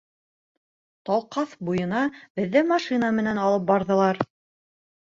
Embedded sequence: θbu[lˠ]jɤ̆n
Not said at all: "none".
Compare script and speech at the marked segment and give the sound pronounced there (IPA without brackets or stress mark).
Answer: none